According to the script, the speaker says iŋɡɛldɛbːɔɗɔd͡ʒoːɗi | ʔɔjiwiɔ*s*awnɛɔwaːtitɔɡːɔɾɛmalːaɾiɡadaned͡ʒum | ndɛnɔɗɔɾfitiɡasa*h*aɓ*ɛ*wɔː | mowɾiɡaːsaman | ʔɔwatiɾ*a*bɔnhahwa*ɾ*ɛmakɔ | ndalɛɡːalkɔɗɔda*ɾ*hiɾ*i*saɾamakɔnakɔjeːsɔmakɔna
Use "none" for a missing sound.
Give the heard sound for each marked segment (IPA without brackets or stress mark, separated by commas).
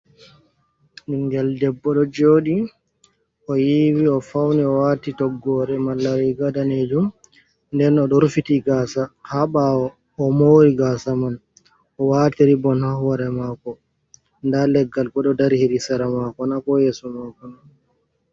f, h, a, i, ɾ, ɾ, i